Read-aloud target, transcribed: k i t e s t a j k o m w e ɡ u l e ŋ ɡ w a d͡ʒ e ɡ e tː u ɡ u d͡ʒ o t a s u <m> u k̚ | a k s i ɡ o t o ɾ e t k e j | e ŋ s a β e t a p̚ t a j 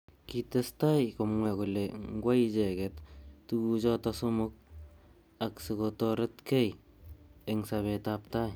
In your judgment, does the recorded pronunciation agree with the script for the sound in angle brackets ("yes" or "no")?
yes